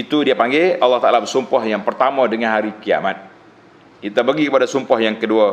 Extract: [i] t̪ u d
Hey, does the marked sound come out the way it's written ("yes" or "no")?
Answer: yes